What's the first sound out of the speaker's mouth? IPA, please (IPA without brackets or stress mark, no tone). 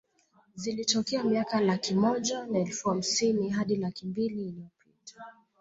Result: z